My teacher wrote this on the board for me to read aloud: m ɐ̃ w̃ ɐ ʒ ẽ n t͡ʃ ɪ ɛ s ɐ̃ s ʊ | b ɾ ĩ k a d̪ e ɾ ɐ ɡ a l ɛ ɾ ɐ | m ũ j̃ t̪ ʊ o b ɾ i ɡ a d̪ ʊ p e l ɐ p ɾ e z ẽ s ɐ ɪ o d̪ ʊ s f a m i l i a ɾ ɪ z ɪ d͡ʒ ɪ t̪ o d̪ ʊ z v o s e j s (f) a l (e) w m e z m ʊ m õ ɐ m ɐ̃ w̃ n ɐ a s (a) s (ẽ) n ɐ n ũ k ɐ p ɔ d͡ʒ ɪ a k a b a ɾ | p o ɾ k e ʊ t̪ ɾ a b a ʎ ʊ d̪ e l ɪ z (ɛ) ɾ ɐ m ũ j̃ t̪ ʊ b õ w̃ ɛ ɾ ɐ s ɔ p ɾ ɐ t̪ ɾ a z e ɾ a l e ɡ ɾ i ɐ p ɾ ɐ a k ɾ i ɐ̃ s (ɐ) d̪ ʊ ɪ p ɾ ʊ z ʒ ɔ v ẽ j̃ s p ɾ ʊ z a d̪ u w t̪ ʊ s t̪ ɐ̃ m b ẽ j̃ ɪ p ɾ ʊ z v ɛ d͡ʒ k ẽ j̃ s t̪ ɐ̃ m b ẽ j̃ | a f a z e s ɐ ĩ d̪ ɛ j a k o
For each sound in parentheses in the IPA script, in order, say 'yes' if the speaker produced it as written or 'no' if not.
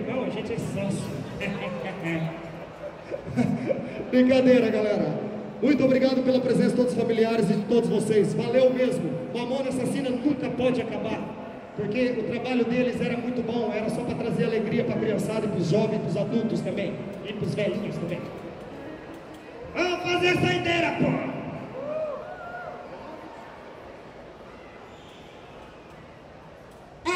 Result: no, yes, yes, no, yes, no

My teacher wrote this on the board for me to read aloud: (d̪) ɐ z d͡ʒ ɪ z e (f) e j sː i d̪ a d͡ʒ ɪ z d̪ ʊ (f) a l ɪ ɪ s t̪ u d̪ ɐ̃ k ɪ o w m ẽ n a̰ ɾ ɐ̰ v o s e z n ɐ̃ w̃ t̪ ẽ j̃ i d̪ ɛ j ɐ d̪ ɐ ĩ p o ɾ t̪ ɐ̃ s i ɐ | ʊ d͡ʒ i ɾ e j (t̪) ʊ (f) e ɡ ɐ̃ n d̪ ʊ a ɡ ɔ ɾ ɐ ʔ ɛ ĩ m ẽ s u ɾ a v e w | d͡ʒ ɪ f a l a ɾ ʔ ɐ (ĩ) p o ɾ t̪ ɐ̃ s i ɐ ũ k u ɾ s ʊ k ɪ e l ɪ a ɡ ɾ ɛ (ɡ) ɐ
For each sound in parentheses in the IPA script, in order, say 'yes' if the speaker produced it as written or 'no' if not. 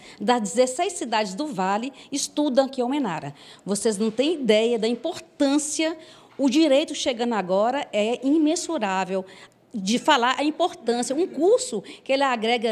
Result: yes, no, no, yes, no, yes, yes

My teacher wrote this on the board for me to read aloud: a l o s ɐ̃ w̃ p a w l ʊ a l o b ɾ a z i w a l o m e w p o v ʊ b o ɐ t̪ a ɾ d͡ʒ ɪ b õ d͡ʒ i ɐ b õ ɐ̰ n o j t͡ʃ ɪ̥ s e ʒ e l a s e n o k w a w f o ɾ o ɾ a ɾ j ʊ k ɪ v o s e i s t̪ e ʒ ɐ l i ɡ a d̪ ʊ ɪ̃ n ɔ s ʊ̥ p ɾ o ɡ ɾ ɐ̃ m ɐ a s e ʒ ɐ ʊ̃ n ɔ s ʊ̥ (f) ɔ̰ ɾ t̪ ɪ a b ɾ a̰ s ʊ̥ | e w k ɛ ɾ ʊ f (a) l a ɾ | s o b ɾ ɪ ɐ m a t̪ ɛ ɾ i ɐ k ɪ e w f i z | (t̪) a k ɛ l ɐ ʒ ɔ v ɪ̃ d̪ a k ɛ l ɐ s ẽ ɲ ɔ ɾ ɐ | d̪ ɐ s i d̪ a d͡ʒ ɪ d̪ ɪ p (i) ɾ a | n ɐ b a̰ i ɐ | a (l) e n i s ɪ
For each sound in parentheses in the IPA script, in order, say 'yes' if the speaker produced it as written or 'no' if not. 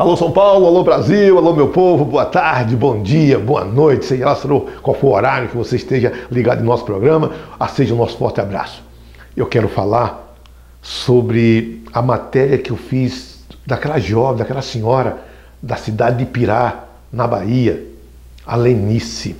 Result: yes, yes, no, yes, yes

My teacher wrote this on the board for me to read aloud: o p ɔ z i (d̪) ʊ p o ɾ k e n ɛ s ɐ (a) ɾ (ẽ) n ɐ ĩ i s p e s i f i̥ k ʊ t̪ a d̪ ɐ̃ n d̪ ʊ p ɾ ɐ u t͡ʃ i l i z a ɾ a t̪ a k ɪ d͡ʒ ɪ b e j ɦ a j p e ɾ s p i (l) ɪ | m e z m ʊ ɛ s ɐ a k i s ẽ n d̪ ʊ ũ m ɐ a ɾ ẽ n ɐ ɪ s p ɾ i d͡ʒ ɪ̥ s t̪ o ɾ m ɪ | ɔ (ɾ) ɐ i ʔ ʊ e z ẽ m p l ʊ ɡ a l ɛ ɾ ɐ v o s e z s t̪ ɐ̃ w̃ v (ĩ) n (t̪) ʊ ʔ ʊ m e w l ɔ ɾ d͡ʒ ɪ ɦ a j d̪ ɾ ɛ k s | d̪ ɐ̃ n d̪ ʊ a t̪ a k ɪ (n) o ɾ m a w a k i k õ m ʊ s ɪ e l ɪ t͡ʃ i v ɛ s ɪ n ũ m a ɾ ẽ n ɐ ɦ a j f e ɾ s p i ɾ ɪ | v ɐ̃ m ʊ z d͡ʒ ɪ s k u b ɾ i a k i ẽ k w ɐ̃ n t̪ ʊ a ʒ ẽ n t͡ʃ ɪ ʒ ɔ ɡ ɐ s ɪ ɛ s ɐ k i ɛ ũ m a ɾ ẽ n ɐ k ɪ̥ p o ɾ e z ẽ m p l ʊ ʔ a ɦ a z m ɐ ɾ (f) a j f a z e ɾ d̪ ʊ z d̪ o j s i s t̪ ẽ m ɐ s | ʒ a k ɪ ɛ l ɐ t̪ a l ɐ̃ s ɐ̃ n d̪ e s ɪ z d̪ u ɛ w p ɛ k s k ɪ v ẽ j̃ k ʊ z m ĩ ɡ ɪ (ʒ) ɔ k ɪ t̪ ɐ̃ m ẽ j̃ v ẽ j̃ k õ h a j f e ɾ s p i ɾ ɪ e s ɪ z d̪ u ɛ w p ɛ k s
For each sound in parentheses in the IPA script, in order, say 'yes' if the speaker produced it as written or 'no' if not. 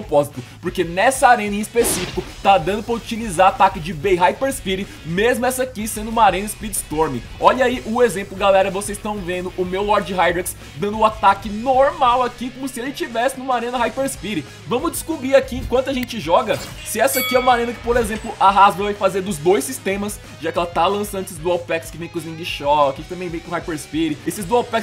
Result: no, yes, yes, no, no, no, no, yes, no, no

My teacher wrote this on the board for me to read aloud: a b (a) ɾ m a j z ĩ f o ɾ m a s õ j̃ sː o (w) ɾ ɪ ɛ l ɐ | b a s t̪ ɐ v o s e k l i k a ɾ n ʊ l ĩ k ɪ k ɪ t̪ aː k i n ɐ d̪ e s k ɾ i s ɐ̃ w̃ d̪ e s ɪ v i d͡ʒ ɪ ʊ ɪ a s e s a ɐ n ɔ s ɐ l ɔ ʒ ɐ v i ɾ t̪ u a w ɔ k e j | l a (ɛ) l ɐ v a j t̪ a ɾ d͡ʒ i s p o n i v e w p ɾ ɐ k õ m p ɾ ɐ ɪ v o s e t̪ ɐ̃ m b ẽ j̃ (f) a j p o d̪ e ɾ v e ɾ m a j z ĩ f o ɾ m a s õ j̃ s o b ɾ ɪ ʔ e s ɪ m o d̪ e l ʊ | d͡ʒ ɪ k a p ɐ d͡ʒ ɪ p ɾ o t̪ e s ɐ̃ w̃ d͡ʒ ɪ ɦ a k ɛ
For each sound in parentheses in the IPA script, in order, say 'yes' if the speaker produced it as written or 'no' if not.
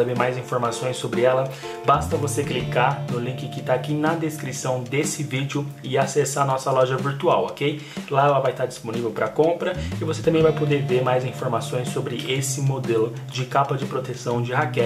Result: no, no, yes, no

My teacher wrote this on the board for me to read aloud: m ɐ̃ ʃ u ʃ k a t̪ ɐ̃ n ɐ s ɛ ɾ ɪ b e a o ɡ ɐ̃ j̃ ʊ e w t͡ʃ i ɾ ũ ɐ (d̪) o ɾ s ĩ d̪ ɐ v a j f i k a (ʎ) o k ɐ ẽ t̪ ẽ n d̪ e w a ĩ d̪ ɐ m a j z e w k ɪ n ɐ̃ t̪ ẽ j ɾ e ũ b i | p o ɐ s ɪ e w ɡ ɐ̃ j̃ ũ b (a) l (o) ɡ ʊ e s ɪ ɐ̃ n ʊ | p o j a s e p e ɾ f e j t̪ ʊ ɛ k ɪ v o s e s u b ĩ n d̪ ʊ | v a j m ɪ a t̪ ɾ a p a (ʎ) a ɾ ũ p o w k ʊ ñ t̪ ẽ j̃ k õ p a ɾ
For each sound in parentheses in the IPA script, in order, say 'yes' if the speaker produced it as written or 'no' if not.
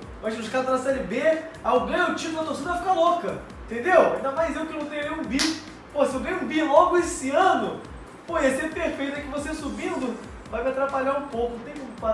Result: no, no, no, no, yes

